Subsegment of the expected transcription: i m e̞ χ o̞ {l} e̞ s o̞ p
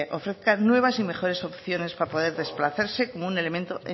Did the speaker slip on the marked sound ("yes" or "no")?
yes